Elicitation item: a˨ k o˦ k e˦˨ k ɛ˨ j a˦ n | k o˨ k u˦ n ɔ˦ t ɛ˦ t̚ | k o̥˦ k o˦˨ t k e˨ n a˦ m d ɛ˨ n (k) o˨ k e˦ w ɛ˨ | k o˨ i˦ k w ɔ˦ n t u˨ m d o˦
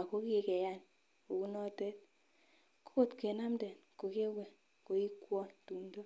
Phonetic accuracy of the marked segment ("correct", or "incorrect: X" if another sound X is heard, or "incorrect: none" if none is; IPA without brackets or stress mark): correct